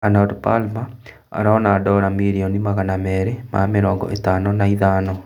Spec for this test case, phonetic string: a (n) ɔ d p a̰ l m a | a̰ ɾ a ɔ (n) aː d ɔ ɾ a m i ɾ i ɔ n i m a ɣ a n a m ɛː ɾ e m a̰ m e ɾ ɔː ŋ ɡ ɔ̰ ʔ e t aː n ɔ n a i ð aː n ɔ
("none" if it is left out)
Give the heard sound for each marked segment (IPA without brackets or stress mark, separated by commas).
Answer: n, n